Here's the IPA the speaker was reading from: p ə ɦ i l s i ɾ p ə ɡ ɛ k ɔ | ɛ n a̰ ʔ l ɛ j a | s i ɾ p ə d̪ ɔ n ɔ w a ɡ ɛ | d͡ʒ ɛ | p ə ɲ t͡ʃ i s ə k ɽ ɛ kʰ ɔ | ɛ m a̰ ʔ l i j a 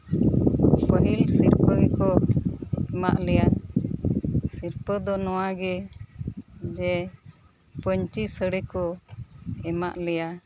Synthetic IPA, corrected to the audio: p ə ɦ i l s i ɾ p ə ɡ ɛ k ɔ | ɛ m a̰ ʔ l ɛ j a | s i ɾ p ə d̪ ɔ n ɔ w a ɡ ɛ | d͡ʒ ɛ | p ə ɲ t͡ʃ i s ə ɽ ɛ k ɔ | ɛ m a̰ ʔ l ɛ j a

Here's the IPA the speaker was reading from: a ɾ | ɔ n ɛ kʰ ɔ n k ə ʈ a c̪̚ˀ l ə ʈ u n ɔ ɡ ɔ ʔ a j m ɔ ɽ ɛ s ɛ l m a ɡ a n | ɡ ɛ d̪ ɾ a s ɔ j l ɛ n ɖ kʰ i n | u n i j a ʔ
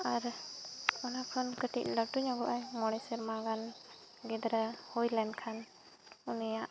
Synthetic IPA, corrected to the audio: a ɾ | ɔ n a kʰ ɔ n k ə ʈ i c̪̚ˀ l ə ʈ u ɲ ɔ ɡ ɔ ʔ a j m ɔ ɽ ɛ s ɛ ɾ m a ɡ a n | ɡ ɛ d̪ ɾ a h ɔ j l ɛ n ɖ kʰ a n | u n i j a ʔ

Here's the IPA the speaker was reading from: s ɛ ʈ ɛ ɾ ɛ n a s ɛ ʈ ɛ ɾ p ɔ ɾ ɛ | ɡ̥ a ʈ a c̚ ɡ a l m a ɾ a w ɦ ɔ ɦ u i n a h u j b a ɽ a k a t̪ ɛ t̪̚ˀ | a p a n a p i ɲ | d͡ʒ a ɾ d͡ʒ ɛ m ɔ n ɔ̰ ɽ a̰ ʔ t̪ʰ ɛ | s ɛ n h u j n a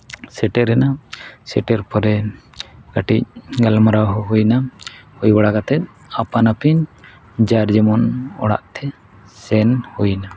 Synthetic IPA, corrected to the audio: s ɛ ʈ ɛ ɾ ɛ n a s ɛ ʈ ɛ ɾ p ɔ ɾ ɛ | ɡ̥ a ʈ i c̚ ɡ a l m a ɾ a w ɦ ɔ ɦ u j n a h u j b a ɽ a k a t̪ ɛ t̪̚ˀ | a p a n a p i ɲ | d͡ʒ a ɾ d͡ʒ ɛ m ɔ n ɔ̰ ɽ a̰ ʔ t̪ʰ ɛ | s ɛ n h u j n a

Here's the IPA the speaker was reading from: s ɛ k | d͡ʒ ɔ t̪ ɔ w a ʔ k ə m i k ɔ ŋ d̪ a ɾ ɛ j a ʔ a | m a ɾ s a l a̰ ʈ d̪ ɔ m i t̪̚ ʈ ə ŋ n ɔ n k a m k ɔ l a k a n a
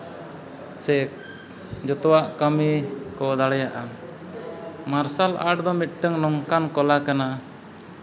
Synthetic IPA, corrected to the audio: s ɛ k | d͡ʒ ɔ t̪ ɔ w a ʔ k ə m i k ɔ d̪ a ɽ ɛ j a ʔ a | m a ɾ s a l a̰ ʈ d̪ ɔ m i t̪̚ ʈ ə ŋ n ɔ ŋ k a n k ɔ l a k a n a

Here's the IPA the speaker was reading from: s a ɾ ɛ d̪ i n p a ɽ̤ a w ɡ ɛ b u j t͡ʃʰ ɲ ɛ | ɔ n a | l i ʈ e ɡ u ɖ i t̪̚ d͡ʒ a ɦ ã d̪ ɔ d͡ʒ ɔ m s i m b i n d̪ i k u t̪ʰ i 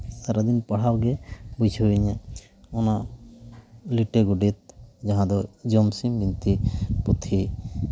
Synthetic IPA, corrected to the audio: s a ɾ a d̪ i n p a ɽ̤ a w ɡ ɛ b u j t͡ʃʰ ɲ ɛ | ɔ n a | l i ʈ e ɡ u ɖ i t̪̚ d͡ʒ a ɦ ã d̪ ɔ d͡ʒ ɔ m s i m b i n t̪ i p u t̪ʰ i

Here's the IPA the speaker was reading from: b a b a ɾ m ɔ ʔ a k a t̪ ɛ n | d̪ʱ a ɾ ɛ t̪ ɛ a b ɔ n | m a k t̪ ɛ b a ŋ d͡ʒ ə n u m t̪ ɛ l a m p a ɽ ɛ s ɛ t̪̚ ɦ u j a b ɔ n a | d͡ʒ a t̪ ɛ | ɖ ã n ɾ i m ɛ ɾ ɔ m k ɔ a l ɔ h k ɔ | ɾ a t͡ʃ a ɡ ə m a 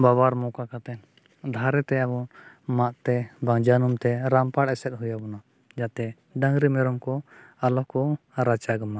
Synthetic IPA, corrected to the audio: b a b a ɾ m ɔ k a k a t̪ ɛ n | d̪ʱ a ɾ ɛ t̪ ɛ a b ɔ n | m a ʔ t̪ ɛ b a ŋ d͡ʒ a n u m t̪ ɛ ɾ a m p a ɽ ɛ s ɛ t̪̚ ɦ u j a b ɔ n a | d͡ʒ a t̪ ɛ | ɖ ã ŋ ɾ i m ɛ ɾ ɔ m k ɔ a l ɔ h k ɔ | ɾ a t͡ʃ a ɡ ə m a

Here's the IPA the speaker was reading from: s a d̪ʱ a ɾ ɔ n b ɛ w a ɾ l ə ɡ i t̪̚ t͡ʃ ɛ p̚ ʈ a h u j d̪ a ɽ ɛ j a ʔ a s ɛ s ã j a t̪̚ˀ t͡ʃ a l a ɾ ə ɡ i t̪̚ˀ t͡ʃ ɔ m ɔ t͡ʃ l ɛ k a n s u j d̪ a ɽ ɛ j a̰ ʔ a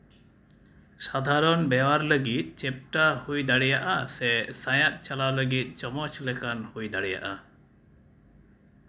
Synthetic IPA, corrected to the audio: s a d̪ʱ a ɾ ɔ n b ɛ w a ɾ l ə ɡ i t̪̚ t͡ʃ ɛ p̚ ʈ a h u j d̪ a ɽ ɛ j a ʔ a s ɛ s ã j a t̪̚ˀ t͡ʃ a l a l ə ɡ i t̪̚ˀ t͡ʃ ɔ m ɔ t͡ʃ l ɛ k a n h u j d̪ a ɽ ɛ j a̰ ʔ a

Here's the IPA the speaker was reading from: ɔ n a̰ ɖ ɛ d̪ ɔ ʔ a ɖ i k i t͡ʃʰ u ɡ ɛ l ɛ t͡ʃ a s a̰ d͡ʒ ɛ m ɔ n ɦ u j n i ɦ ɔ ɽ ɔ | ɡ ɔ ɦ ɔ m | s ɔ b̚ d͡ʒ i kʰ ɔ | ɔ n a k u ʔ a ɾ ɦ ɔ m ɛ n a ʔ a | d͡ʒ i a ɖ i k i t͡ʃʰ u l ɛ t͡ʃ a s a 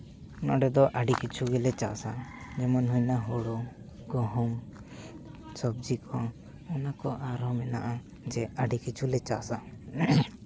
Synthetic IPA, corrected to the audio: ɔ n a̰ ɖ ɛ d̪ ɔ ʔ a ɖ i k i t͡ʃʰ u ɡ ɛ l ɛ t͡ʃ a s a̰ d͡ʒ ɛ m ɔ n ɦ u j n a ɦ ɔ ɽ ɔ | ɡ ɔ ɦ ɔ m | s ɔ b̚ d͡ʒ i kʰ ɔ | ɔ n a k ɔ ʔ a ɾ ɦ ɔ m ɛ n a ʔ a | d͡ʒ ɛ a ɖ i k i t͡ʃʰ u l ɛ t͡ʃ a s a

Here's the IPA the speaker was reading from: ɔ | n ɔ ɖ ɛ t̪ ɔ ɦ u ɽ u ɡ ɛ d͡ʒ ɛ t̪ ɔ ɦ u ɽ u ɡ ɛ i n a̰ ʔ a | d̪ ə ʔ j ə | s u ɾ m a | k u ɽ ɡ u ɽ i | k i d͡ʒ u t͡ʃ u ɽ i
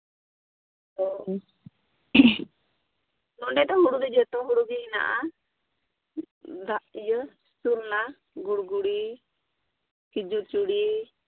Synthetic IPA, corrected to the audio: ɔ | n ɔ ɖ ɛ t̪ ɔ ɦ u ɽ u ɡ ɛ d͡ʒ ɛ t̪ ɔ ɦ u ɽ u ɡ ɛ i n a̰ ʔ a | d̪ a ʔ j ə | s u ɾ n a | ɡ u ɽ ɡ u ɽ i | k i d͡ʒ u t͡ʃ u ɽ i

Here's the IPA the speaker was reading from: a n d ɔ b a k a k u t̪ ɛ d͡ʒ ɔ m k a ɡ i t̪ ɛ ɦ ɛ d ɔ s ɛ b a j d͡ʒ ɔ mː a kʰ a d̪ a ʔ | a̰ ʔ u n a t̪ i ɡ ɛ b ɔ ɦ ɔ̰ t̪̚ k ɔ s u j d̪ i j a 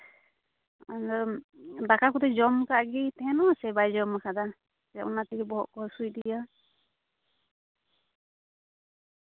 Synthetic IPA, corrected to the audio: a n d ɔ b a k a k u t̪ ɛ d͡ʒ ɔ m k a ɡ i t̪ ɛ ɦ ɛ n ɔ s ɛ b a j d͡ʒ ɔ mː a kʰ a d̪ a | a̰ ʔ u n a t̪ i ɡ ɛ b ɔ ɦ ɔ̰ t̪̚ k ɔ s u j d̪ i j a

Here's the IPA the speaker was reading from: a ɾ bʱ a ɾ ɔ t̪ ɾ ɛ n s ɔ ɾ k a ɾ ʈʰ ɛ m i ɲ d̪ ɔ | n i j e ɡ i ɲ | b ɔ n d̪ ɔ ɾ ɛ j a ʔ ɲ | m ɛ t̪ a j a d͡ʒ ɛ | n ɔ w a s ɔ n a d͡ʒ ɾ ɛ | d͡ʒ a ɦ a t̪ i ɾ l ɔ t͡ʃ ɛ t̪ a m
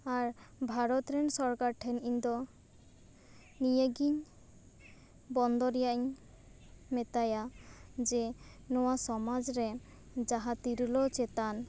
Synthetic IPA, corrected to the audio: a ɾ bʱ a ɾ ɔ t̪ ɾ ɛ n s ɔ ɾ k a ɾ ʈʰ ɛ n i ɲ d̪ ɔ | n i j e ɡ i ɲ | b ɔ n d̪ ɔ ɾ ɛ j a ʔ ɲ | m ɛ t̪ a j a d͡ʒ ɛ | n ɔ w a s ɔ m a d͡ʒ ɾ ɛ | d͡ʒ a ɦ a t̪ i ɾ l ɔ t͡ʃ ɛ t̪ a n

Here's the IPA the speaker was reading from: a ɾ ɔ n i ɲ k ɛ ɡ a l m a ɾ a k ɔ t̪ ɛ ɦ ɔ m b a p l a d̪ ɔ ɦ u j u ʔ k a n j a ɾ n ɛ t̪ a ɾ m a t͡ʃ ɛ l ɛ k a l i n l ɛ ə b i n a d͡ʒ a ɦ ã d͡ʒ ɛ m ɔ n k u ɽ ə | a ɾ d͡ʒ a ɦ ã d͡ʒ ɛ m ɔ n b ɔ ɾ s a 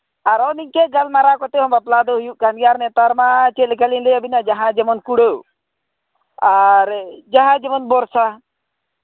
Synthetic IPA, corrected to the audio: a ɾ ɔ n i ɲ k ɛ ɡ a l m a ɾ a k ɔ t̪ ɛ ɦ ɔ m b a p l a d̪ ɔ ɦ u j u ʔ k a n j a ɾ n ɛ t̪ a ɾ m a t͡ʃ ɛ l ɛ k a l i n l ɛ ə b i n a d͡ʒ a ɦ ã d͡ʒ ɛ m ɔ n k u ɽ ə | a ɾ d͡ʒ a ɦ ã d͡ʒ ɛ m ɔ n b ɔ ɾ s a

